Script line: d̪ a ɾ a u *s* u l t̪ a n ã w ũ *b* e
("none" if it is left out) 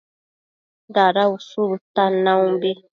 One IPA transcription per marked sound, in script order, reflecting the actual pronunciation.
s, b

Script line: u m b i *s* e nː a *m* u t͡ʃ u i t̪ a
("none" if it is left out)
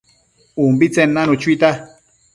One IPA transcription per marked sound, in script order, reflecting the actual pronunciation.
t͡s, n

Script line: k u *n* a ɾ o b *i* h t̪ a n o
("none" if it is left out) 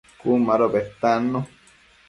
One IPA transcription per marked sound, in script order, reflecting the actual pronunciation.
m, e

